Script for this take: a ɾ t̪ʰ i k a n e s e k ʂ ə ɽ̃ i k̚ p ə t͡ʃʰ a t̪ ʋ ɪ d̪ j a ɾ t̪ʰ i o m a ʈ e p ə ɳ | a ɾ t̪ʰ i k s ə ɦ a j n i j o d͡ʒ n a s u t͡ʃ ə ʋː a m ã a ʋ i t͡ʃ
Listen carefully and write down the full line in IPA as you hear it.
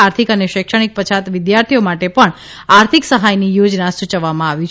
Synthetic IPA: a ɾ t̪ʰ i k ə n e ʃ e k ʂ ə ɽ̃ i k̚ p ə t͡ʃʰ a t̪ ʋ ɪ d̪ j a ɾ t̪ʰ i o m a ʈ e p ə ɳ | a ɾ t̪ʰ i k s ə ɦ a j n i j o d͡ʒ n a s u t͡ʃ ə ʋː a m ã a ʋ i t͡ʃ